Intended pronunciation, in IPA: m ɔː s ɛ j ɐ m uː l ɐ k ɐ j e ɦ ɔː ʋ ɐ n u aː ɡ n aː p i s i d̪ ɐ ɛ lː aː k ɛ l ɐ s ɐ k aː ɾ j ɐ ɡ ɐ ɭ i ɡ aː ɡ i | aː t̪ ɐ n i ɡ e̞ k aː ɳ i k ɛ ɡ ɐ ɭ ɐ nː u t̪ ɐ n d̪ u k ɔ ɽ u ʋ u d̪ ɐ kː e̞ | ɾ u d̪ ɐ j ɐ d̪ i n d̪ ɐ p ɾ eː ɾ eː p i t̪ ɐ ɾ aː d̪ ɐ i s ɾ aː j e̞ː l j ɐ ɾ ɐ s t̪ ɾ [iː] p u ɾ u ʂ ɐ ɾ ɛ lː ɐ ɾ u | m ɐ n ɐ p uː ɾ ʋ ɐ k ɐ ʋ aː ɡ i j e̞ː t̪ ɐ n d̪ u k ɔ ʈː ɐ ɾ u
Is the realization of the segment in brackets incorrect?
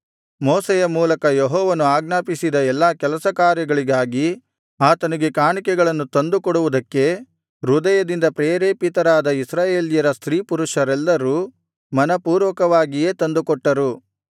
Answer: no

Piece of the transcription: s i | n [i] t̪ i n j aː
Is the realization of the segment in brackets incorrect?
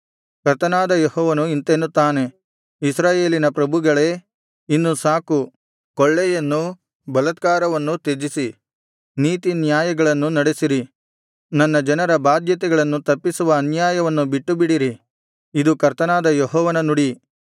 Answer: yes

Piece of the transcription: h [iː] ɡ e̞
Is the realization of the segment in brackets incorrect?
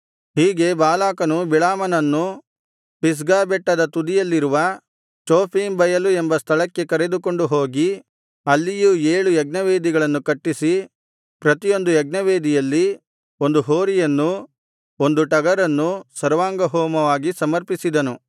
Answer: no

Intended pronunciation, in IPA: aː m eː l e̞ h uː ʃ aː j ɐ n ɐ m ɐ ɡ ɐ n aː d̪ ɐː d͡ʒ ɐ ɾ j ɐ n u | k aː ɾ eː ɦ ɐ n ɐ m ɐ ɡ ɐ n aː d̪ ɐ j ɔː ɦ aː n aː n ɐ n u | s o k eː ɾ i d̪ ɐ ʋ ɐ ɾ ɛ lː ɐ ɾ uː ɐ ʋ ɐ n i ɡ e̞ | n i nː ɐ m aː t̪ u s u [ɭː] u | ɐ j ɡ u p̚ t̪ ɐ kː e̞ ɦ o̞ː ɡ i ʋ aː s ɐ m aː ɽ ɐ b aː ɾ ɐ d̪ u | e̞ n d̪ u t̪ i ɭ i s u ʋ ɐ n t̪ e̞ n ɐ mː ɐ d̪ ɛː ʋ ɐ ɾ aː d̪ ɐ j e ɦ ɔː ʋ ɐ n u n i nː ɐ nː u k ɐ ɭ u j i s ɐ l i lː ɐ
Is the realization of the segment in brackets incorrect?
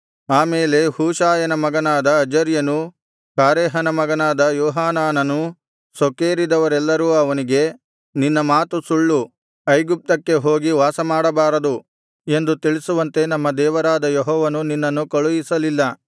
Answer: no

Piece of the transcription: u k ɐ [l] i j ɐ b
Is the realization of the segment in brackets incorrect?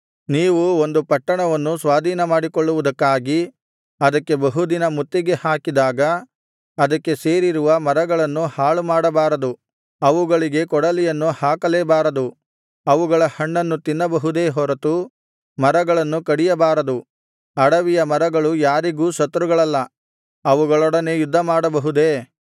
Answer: yes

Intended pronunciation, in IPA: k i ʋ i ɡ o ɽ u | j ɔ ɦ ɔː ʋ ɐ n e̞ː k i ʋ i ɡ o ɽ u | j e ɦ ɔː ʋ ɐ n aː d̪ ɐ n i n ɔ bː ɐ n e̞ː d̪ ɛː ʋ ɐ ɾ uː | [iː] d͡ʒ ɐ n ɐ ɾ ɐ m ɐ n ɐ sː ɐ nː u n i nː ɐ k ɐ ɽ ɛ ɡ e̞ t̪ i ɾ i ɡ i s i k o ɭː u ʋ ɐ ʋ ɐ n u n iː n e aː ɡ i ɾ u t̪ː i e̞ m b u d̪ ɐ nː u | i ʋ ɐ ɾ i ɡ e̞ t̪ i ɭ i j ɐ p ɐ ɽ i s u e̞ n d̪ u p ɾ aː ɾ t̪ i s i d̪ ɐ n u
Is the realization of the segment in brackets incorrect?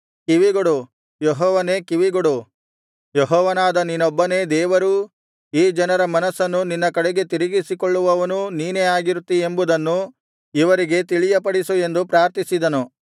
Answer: no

